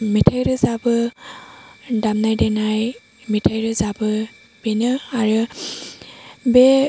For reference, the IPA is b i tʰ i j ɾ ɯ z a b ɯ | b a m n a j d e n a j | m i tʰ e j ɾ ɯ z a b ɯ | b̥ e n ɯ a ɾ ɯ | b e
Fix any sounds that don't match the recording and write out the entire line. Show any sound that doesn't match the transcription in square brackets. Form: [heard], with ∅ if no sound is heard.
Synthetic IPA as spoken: [m] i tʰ [a] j ɾ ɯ z a b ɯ | [d] a m n a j d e n a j | m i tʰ [a] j ɾ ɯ z a b ɯ | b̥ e n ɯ a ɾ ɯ | b e